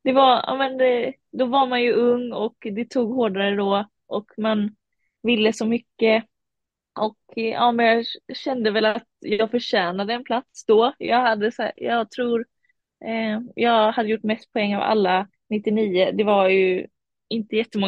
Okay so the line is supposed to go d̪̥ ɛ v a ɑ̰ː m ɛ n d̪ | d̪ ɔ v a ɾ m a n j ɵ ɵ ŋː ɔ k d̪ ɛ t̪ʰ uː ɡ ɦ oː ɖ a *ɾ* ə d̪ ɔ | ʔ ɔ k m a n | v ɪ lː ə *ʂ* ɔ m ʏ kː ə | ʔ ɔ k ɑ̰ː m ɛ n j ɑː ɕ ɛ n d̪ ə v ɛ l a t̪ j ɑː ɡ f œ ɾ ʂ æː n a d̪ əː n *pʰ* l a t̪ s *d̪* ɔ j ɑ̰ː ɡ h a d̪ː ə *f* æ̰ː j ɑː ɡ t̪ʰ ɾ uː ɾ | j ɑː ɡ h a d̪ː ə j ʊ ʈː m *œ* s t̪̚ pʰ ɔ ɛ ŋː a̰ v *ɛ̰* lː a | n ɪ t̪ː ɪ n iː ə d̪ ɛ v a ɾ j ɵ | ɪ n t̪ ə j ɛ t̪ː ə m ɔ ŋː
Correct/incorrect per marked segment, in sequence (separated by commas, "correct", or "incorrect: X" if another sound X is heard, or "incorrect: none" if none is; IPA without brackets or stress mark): correct, incorrect: s, correct, correct, incorrect: s, incorrect: ɛ, incorrect: a̰